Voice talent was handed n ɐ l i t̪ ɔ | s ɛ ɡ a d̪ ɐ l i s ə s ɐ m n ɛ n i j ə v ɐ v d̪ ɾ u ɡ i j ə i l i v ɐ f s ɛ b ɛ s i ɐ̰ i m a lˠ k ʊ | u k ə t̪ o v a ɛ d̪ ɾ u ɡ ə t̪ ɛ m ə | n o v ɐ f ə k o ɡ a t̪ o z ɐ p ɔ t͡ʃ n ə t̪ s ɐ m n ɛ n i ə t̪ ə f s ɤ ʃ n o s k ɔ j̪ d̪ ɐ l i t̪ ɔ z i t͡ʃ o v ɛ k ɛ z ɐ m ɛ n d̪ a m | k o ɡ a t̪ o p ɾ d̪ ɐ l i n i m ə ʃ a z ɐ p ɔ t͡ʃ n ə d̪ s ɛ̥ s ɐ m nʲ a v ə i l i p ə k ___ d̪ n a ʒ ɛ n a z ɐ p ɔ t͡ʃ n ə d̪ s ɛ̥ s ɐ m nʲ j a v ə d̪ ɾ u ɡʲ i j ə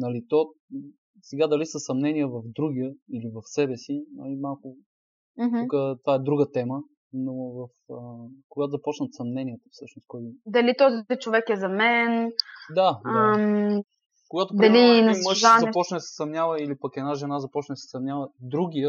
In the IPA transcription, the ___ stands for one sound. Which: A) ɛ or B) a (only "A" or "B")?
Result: A